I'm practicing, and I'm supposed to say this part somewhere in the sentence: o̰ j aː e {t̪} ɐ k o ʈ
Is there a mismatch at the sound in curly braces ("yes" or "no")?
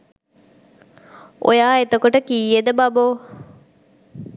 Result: no